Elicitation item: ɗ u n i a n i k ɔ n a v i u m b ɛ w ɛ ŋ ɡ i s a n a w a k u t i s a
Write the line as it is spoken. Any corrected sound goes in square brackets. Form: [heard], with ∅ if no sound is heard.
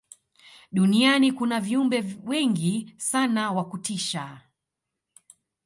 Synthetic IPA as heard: ɗ u n i a n i k [u] n a v i u m b ɛ w ɛ ŋ ɡ i s a n a w a k u t i [ʃ] a